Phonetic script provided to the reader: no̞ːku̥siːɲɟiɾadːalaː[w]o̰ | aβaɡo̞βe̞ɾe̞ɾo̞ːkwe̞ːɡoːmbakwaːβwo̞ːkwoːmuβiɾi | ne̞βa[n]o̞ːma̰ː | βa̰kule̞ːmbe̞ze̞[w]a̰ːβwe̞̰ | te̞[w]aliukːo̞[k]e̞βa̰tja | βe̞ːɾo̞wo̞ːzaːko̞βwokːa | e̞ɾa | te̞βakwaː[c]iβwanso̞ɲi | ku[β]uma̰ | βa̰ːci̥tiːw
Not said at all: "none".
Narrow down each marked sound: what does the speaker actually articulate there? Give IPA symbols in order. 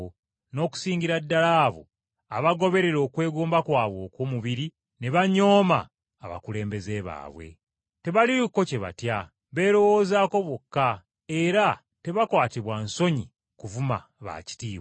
β, ɲ, β, β, c, t, v

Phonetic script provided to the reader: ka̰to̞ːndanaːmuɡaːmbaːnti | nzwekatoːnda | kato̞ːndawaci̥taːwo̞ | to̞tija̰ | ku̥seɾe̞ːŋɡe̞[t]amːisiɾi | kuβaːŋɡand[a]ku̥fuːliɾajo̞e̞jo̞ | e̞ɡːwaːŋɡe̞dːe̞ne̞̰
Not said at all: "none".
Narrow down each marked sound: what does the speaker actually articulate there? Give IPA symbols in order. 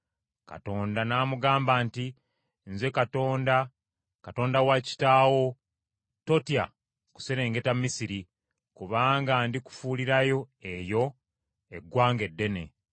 t, i

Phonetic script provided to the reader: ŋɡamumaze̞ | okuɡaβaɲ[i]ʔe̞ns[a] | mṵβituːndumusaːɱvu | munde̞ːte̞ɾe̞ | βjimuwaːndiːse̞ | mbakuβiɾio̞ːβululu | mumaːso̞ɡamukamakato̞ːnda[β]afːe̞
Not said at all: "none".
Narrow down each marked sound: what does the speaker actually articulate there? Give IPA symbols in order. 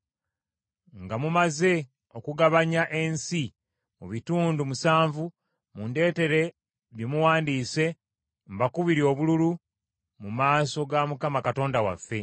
a, i, w

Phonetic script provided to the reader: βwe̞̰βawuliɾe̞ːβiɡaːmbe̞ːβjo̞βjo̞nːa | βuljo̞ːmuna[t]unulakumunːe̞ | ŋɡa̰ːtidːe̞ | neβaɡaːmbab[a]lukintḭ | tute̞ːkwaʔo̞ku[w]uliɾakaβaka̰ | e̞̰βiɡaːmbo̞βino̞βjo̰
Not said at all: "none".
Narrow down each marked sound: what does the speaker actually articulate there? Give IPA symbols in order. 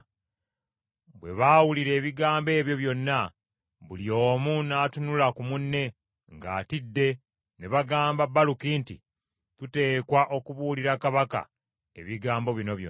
t, a, β

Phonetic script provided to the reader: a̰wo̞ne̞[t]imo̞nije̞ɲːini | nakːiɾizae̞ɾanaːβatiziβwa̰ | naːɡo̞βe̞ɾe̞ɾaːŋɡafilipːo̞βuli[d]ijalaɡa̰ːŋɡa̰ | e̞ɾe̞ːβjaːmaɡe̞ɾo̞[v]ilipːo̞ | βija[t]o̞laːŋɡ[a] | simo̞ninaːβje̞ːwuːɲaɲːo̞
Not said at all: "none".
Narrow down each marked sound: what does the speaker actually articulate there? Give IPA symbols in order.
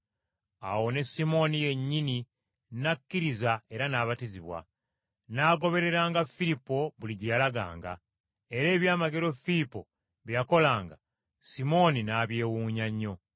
s, ɟ, f, k, a

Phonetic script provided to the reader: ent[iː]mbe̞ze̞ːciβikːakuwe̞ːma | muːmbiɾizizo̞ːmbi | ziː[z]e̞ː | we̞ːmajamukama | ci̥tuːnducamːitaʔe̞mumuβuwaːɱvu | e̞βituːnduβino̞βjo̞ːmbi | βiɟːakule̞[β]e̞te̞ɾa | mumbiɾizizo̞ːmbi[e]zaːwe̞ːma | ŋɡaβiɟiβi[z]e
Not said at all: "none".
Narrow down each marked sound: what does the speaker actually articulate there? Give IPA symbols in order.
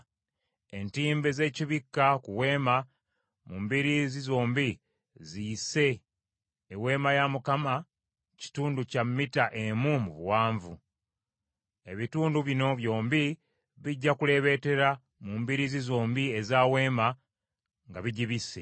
iː, s, β, e, s

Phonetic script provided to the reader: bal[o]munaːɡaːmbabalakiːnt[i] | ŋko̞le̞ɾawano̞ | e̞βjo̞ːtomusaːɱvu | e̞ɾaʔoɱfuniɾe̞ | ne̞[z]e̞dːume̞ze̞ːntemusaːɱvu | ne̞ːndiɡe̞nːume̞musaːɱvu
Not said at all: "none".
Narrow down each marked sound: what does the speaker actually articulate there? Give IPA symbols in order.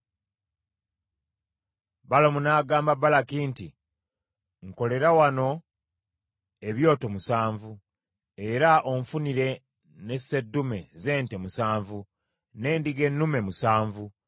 o, i, s

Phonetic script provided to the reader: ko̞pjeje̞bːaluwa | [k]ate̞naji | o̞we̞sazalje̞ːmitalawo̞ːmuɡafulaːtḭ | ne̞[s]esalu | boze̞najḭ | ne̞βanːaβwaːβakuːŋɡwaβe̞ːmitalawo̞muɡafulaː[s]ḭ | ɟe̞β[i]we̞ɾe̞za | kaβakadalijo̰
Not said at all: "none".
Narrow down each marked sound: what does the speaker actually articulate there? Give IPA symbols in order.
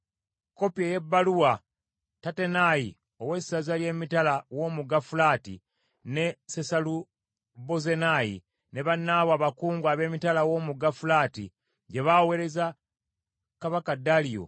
t, s, t, a

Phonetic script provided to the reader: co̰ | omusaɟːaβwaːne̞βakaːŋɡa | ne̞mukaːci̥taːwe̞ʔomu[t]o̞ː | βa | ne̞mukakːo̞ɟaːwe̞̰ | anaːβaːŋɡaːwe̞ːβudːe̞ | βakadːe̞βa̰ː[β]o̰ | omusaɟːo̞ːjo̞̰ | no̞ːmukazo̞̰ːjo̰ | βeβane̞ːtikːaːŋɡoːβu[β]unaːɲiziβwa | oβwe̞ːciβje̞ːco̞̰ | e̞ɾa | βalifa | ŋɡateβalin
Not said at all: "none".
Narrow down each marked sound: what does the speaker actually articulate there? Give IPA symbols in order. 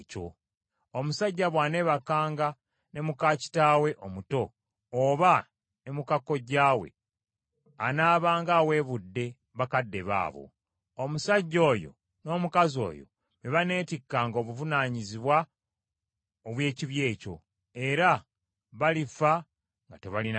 t, β, v

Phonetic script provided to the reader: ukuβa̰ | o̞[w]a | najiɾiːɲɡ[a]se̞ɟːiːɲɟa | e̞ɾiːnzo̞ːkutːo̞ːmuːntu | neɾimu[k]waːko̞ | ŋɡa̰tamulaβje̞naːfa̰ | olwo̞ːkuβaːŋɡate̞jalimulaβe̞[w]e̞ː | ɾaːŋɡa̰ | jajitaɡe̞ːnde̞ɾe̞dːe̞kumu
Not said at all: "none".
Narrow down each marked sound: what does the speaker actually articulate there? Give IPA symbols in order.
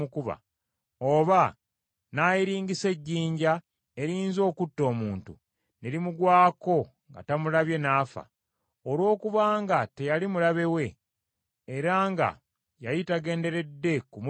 β, i, ɡ, w

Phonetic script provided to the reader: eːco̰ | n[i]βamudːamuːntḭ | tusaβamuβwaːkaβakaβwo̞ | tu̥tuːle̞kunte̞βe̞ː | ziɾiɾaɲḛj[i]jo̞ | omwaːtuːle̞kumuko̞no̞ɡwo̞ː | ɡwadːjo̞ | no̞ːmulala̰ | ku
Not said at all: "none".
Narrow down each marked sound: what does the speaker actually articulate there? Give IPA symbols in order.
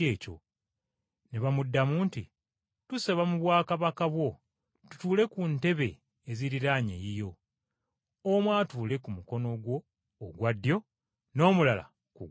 e, i

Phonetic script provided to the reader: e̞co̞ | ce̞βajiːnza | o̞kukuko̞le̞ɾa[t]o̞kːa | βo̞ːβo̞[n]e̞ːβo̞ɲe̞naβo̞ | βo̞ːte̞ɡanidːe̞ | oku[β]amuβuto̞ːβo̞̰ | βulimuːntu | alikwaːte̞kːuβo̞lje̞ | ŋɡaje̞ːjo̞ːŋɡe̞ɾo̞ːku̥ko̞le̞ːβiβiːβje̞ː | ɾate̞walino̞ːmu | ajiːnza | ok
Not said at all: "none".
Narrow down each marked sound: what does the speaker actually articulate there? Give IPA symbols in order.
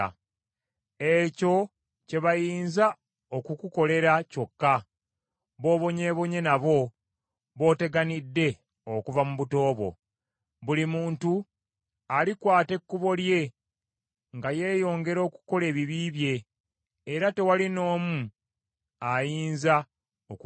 c, ɲ, v

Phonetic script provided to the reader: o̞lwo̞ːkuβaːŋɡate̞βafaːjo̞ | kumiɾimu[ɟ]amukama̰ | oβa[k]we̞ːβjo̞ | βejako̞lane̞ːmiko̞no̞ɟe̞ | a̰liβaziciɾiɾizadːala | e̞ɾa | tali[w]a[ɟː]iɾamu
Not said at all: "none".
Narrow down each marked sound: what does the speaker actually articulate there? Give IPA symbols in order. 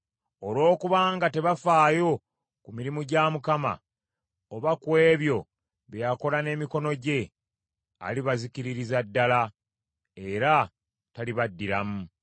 ɟ, k, β, dː

